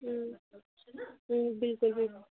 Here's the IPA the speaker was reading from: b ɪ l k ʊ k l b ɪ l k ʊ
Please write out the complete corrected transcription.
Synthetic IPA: b ɪ l k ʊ l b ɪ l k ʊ

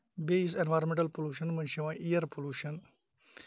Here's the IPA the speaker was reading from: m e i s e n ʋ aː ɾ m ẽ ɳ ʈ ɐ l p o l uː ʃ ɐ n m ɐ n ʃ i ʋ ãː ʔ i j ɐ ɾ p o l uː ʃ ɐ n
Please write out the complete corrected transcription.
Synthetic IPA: b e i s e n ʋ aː ɾ m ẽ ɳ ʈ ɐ l p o l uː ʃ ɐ n m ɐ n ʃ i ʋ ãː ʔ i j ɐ ɾ p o l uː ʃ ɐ n

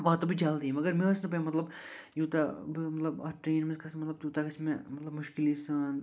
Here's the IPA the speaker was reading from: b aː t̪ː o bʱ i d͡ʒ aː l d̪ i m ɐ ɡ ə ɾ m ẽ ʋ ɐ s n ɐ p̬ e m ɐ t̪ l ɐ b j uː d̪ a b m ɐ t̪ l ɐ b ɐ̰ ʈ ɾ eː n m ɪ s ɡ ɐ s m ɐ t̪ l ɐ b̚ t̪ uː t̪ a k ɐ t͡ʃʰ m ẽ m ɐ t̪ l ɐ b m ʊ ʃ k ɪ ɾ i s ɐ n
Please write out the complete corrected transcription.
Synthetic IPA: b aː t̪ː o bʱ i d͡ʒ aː l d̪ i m ɐ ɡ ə ɾ m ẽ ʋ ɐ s n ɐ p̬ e m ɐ t̪ l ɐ b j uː t̪ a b m ɐ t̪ l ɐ b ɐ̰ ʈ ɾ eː n m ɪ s k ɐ s m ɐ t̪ l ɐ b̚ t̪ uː t̪ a k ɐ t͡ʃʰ m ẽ m ɐ t̪ l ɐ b m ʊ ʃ k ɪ l i s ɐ n

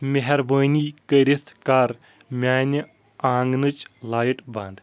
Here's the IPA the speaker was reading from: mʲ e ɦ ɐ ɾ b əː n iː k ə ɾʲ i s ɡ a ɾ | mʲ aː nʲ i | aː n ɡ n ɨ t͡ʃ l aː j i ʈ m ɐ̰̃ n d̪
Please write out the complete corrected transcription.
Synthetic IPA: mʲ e ɦ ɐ ɾ b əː n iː k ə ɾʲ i s k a ɾ | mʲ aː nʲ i | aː ŋ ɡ n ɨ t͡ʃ l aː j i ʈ b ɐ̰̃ n d̪

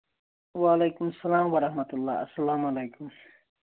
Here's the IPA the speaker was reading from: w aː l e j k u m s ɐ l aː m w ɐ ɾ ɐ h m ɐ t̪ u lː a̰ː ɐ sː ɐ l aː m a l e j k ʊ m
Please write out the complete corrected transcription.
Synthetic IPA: w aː l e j k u m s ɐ l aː m w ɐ ɾ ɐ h m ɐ t̪ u lː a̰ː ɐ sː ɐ l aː m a l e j k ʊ m

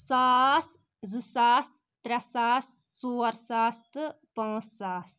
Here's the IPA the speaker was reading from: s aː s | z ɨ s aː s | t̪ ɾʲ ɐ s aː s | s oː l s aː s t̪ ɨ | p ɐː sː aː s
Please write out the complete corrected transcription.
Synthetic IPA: s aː s | z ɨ s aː s | t̪ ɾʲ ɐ s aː s | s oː ɾ s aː s t̪ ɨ | p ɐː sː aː s

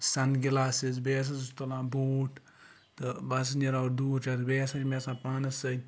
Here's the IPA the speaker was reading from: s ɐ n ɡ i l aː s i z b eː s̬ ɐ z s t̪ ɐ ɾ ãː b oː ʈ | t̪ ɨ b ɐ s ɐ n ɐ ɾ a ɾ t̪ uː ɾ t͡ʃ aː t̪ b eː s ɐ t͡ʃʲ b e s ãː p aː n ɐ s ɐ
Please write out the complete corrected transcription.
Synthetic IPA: s ɐ n ɡ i l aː s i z b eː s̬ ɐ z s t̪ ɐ l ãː b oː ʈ | t̪ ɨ b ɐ s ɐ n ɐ ɾ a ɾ d̪ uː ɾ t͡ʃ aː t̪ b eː s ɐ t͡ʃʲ m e s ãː p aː n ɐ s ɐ

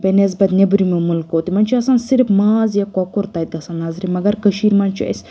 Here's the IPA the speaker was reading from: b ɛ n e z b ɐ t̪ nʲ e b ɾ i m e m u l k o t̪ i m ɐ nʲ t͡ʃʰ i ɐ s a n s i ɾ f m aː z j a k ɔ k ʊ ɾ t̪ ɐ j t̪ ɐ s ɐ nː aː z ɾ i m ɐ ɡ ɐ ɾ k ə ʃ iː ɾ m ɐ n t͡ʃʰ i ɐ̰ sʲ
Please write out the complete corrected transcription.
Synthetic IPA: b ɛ n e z b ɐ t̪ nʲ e b ɾ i m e m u l k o t̪ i m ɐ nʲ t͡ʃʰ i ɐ s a n s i ɾ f m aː z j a k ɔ k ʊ ɾ t̪ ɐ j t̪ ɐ s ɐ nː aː z ɾ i m ɐ ɡ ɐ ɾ k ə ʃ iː ɾ m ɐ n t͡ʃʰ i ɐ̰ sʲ

